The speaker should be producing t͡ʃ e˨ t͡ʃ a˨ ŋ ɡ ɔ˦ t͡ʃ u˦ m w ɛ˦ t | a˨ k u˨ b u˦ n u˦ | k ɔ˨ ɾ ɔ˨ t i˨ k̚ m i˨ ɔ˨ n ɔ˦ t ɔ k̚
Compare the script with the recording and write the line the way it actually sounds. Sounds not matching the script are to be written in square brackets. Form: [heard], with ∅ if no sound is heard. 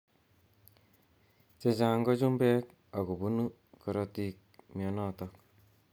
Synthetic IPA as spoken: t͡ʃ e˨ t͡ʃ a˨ ŋ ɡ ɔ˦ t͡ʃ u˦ m [b] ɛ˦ [k] | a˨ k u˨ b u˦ n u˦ | k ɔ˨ ɾ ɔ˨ t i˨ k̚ m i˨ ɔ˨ n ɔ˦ t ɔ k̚